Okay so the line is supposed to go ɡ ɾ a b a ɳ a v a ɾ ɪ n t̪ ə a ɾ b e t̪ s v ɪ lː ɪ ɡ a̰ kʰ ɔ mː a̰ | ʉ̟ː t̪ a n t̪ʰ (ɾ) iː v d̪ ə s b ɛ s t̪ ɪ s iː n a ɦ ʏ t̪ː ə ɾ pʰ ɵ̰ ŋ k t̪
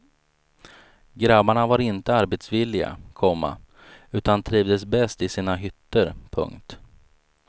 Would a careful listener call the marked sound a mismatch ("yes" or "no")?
no